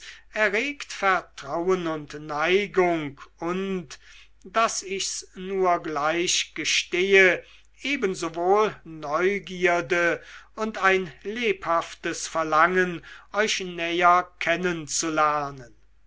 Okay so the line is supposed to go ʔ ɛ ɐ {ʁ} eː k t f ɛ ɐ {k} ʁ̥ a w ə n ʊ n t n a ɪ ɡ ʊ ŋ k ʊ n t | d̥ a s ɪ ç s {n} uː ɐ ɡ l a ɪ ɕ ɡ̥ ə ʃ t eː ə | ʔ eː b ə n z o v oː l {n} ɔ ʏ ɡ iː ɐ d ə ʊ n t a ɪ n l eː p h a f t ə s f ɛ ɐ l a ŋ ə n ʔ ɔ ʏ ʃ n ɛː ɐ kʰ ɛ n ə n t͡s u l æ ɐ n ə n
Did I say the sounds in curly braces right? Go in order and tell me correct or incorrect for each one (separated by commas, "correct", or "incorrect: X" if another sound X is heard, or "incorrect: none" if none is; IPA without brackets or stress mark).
correct, incorrect: t, correct, correct